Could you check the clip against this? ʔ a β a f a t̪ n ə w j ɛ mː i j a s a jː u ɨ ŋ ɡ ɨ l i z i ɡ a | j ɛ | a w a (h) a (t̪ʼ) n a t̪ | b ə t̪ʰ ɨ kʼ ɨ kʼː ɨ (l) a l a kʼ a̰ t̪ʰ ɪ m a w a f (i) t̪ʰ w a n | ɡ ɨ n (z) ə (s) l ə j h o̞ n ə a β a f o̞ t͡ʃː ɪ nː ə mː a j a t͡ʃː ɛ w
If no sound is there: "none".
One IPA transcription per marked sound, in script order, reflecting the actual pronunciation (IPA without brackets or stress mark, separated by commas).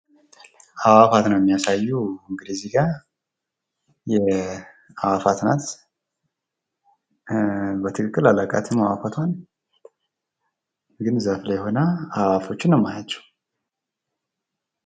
f, t̪, l, a, z, f